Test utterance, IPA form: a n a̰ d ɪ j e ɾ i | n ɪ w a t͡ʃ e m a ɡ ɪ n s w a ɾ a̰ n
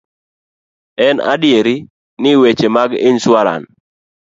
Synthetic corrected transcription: ɛ n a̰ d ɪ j e ɾ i | n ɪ w e t͡ʃ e m a ɡ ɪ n s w a ɾ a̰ n